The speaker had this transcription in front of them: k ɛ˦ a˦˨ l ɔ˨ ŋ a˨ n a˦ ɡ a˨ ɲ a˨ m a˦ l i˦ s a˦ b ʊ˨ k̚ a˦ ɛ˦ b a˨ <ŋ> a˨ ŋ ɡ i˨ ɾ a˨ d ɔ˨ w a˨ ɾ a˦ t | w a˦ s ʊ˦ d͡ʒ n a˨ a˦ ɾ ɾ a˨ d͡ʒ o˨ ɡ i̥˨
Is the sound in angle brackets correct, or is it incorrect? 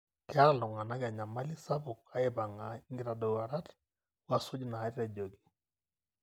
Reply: correct